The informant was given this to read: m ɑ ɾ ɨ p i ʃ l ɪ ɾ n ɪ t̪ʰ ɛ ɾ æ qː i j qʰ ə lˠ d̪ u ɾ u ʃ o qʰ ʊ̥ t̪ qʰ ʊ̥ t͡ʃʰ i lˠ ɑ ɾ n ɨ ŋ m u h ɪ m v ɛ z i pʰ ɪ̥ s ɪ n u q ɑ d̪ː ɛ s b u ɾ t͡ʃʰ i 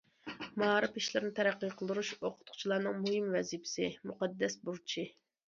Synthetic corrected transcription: m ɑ ɾ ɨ p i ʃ l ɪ ɾ n ɪ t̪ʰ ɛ ɾ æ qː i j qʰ ə lˠ d̪ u ɾ u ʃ o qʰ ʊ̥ t̪ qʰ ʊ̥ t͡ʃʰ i lˠ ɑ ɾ n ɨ ŋ m u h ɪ m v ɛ z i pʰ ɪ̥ s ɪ m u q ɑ d̪ː ɛ s b u ɾ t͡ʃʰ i

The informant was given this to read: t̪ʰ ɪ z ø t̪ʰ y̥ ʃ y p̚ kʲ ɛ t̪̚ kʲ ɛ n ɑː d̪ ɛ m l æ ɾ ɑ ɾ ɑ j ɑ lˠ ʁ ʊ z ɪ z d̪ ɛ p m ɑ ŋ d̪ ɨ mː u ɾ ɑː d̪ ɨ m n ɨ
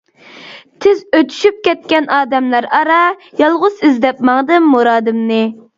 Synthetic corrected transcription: t̪ʰ ɪ z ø t̪ʰ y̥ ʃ y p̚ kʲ ɛ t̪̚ kʲ ɛ n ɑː d̪ ɛ m l æ ɾ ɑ ɾ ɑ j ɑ lˠ ʁ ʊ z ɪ z d̪ ɛ p m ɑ ŋ d̪ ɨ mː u ɾ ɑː d̪ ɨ m n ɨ

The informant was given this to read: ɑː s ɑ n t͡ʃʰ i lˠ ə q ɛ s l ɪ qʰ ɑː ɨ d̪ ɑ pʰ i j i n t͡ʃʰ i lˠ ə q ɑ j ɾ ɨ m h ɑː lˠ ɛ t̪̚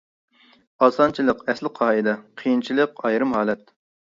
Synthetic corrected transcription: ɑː s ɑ n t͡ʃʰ i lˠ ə q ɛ s l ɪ qʰ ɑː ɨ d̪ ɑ qʰ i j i n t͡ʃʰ i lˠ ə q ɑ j ɾ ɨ m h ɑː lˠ ɛ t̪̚

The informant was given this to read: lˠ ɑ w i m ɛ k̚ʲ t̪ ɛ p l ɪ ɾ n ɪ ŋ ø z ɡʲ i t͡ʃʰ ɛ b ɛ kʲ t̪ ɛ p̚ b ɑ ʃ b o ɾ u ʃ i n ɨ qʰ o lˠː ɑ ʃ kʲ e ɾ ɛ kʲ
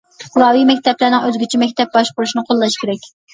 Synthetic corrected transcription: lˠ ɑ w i m ɛ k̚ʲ t̪ ɛ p l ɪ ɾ n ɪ ŋ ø z ɡʲ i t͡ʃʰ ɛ m ɛ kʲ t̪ ɛ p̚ b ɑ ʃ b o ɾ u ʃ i n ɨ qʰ o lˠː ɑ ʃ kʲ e ɾ ɛ kʲ

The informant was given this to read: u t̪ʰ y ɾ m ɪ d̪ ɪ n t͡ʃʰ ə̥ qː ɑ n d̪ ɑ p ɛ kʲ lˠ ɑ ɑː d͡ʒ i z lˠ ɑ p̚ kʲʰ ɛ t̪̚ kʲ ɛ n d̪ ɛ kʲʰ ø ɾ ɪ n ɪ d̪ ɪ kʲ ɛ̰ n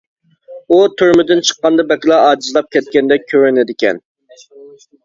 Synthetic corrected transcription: u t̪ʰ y ɾ m ɪ d̪ ɪ n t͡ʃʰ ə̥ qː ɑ n d̪ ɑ b ɛ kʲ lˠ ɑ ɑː d͡ʒ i z lˠ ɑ p̚ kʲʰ ɛ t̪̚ kʲ ɛ n d̪ ɛ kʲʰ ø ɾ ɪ n ɪ d̪ ɪ kʲ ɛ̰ n

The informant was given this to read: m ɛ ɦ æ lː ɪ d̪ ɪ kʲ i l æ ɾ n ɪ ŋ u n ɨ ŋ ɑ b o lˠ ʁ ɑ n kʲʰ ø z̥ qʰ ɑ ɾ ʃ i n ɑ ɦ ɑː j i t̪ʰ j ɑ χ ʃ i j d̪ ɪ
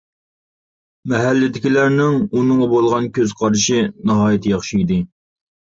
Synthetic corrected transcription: m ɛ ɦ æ lː ɪ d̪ ɪ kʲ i l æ ɾ n ɪ ŋ u n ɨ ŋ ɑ b o lˠ ʁ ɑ n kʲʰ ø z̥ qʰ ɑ ɾ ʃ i n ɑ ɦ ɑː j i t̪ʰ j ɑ χ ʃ i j d̪ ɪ

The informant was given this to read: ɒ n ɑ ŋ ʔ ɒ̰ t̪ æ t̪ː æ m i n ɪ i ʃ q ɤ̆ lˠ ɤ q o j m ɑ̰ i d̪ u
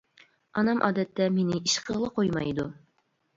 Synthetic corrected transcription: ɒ n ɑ m ʔ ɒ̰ d̪ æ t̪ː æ m i n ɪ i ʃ q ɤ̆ lˠ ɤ q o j m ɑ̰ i d̪ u

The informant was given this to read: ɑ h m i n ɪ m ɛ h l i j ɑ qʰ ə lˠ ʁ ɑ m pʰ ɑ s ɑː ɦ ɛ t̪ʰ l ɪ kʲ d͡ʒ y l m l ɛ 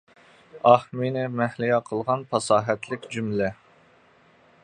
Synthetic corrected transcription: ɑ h m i n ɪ m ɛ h l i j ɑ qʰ ə lˠ ʁ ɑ n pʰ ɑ s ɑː ɦ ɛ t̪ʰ l ɪ kʲ d͡ʒ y m l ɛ

